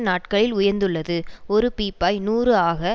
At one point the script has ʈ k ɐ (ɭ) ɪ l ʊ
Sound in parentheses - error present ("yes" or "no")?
no